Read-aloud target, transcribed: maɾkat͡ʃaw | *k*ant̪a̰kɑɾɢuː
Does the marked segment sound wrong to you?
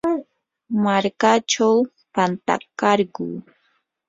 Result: yes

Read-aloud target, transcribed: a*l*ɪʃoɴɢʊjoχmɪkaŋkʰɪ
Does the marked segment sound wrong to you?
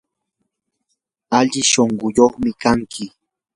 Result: yes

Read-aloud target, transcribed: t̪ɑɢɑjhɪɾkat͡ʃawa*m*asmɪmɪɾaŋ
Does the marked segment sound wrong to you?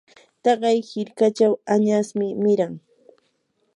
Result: yes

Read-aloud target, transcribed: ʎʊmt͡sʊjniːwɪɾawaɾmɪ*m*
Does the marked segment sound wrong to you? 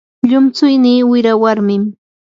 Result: no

